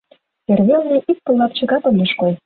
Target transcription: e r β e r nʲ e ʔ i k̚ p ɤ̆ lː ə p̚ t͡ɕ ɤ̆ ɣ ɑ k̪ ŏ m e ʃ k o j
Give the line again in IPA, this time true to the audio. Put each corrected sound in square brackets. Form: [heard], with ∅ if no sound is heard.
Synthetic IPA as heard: e r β e [l] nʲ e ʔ i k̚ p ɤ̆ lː [ɑ] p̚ t͡ɕ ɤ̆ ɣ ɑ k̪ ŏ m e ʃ k o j

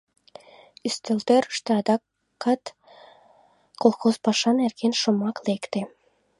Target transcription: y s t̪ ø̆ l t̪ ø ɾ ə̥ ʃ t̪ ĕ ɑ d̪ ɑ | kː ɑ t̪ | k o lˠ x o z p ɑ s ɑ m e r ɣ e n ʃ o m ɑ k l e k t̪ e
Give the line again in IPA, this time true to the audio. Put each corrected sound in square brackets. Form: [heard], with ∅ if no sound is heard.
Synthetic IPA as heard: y s t̪ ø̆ l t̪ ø ɾ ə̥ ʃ t̪ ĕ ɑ d̪ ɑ | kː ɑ t̪ | k o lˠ x o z p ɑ [ʃ] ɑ [n] e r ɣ e n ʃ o m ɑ k l e k t̪ e

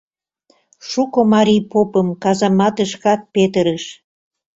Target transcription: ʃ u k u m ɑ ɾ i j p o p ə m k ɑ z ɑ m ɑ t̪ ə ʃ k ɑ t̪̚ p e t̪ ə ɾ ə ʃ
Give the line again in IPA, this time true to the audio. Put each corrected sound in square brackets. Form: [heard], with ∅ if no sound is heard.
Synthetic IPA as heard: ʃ u k [o] m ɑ ɾ i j p o p ə m k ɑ z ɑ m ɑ t̪ ə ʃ k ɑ t̪̚ p e t̪ ə ɾ ə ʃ

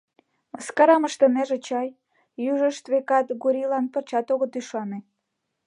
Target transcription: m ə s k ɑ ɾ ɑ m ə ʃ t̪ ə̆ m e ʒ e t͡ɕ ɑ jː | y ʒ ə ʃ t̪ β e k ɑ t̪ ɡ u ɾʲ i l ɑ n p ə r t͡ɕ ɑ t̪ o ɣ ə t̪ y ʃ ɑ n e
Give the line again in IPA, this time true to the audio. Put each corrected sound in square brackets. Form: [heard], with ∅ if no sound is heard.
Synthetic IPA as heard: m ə s k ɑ ɾ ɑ m ə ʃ t̪ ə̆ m e ʒ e t͡ɕ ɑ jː | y ʒ ə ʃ t̪ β e k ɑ t̪ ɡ u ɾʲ i l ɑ n p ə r t͡ɕ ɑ t̪ o ɣ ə t̪ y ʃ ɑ n e

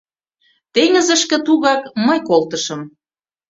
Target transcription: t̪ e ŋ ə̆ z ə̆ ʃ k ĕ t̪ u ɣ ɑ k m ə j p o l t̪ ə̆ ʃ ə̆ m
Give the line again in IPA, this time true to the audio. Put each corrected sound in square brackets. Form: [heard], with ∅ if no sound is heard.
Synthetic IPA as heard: t̪ e ŋ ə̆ z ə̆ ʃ k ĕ t̪ u ɣ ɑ k m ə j [k] o l t̪ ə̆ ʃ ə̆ m

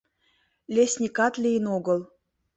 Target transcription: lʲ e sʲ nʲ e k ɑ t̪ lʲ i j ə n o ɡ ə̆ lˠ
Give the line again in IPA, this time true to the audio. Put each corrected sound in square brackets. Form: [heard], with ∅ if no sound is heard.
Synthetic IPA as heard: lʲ e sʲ nʲ [i] k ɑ t̪ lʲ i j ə n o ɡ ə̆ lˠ

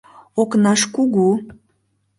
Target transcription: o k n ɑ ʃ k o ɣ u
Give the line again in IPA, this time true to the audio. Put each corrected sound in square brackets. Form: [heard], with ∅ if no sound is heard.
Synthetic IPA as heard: o k n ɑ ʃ k [u] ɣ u

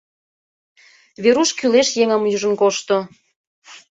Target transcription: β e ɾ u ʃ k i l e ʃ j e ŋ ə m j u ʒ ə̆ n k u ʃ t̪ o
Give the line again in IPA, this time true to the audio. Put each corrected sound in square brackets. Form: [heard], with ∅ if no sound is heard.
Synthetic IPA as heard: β e ɾ u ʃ k [y] l e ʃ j e ŋ ə m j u ʒ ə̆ n k [o] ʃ t̪ o

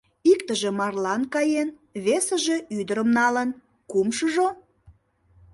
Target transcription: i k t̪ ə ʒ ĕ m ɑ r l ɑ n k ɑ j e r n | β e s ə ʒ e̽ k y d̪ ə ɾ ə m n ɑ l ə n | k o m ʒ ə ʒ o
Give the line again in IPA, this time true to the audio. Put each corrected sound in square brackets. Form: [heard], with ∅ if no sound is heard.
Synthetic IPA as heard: i k t̪ ə ʒ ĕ m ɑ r l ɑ n k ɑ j e [∅] n | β e s ə ʒ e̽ [∅] y d̪ ə ɾ ə m n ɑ l ə n | k [u] m [ʃ] ə ʒ o

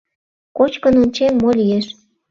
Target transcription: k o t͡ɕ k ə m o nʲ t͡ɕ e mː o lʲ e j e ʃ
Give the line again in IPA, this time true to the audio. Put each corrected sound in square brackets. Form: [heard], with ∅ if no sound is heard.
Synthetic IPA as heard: k o t͡ɕ k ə [n] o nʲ t͡ɕ e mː o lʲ [i] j e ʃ

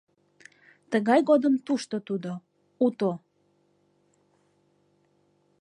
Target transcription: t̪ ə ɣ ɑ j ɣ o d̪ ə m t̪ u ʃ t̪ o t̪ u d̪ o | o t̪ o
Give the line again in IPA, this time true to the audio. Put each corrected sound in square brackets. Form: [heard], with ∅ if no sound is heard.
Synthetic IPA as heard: t̪ ə ɣ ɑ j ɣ o d̪ ə m t̪ u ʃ t̪ o t̪ u d̪ o | [u] t̪ o

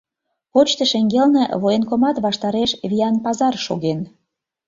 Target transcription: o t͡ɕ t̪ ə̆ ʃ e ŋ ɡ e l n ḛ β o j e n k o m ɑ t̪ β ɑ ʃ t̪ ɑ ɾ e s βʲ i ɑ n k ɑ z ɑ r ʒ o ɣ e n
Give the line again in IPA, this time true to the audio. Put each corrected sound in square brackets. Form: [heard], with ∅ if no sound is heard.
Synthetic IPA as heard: o t͡ɕ t̪ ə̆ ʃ e ŋ ɡ e l n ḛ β o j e n k o m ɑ t̪ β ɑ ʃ t̪ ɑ ɾ e [ʃ] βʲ i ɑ n [p] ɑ z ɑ r [ʃ] o ɣ e n

